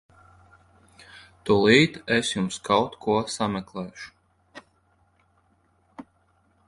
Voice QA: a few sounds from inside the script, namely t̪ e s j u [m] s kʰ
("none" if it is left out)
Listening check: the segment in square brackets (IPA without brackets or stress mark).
m